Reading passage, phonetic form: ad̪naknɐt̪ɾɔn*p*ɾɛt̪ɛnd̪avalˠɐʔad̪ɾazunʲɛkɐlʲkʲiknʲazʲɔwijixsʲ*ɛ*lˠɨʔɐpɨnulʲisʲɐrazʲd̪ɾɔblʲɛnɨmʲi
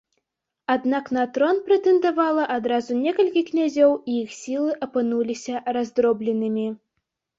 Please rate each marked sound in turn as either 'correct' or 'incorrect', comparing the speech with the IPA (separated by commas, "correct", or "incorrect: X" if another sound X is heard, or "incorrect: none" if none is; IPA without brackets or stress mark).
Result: correct, incorrect: i